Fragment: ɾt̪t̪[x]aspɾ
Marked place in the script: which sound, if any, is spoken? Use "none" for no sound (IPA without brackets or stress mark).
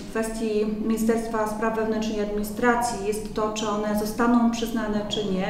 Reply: f